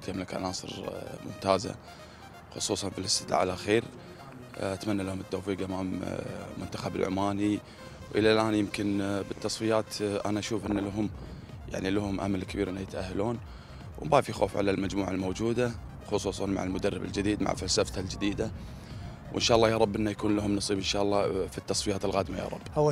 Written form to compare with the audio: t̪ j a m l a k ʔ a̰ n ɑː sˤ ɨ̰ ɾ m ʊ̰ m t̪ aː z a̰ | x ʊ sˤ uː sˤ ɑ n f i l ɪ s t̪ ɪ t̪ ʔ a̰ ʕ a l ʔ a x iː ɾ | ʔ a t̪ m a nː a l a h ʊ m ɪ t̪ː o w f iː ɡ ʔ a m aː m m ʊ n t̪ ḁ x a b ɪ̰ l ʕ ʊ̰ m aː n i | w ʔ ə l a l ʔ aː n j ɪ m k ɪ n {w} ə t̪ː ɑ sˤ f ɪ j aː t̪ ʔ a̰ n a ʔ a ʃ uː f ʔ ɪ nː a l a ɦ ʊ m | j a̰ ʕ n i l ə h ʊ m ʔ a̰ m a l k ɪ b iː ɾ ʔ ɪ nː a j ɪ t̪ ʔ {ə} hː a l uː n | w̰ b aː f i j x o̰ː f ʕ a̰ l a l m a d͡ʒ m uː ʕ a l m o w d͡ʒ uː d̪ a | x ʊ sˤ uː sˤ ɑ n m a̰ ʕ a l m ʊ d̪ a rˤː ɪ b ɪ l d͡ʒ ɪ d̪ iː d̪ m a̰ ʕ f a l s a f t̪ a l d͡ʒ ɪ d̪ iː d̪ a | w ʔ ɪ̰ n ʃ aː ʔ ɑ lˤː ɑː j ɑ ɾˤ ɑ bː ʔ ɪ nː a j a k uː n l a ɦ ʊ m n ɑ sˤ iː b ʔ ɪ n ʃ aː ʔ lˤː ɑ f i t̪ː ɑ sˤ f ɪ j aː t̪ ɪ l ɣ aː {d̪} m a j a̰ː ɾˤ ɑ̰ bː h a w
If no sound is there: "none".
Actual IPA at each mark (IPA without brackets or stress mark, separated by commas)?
b, a, d̪